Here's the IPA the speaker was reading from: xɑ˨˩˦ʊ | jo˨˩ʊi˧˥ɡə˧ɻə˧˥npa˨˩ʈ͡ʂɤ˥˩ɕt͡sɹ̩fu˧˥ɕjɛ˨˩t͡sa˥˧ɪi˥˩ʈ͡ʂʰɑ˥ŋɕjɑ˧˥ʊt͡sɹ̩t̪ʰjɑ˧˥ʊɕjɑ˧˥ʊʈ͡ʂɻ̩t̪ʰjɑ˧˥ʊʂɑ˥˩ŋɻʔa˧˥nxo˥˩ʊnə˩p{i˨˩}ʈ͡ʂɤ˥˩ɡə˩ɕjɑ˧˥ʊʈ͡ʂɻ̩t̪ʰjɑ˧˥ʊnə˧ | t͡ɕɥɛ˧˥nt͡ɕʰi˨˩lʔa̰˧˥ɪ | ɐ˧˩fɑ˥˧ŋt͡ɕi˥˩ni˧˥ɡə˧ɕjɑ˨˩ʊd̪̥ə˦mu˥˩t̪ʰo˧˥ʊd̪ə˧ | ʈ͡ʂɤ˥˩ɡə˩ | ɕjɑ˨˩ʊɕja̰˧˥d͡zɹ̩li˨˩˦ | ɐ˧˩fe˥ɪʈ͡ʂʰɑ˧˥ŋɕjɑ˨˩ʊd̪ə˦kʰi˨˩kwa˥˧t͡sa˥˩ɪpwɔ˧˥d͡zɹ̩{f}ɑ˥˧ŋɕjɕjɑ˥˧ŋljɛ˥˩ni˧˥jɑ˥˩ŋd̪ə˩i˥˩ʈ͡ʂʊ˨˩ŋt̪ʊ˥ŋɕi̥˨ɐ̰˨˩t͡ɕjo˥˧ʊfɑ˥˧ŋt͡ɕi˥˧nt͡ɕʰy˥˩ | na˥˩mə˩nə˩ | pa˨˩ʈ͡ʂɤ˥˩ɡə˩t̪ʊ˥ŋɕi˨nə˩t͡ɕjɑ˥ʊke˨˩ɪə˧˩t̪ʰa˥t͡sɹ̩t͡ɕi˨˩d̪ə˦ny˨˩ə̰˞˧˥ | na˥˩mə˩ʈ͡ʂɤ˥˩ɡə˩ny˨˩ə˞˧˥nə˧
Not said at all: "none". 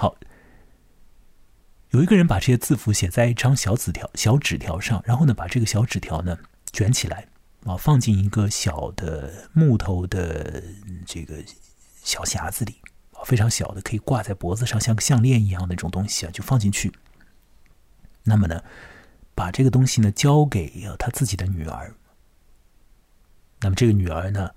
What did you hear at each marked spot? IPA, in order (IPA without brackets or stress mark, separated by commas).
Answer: a˨˩, ʂ